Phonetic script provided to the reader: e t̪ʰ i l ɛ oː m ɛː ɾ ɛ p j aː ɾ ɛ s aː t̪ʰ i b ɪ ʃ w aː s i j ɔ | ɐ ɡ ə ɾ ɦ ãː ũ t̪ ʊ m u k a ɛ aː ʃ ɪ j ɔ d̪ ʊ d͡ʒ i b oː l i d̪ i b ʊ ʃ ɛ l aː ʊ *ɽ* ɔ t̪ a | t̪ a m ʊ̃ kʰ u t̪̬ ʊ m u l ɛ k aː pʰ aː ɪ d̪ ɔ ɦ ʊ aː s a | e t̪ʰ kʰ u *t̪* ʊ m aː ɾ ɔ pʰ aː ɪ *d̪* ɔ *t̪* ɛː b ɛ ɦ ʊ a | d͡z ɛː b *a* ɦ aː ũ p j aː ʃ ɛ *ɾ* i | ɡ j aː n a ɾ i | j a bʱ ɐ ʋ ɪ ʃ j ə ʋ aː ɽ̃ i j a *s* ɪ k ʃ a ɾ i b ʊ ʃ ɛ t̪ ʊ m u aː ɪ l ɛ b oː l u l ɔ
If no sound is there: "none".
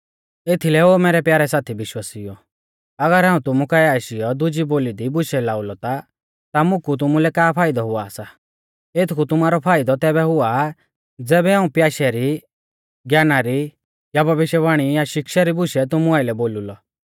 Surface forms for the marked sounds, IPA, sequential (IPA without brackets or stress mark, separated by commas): l, t̪, d̪, t̪, ɛ, ɾ, ʃ